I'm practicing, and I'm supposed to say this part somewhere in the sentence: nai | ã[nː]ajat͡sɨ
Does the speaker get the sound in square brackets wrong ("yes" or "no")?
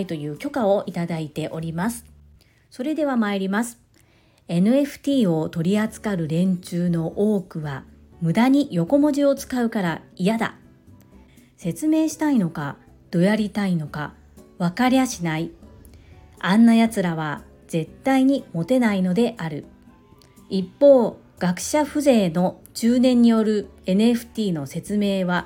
no